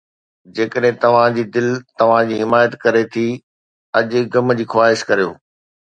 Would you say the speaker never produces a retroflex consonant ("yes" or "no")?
yes